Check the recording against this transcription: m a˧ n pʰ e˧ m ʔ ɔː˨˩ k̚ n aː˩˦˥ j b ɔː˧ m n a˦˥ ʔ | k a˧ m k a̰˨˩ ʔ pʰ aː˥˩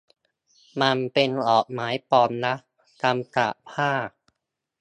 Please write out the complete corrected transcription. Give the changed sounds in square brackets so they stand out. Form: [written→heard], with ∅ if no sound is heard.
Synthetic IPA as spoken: m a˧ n [pʰ→p] e˧ [m→n] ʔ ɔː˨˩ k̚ [n→m] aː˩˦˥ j [b→p] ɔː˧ m n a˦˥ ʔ | k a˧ m k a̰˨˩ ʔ pʰ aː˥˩